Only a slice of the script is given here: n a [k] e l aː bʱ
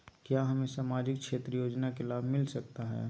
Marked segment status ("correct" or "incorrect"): correct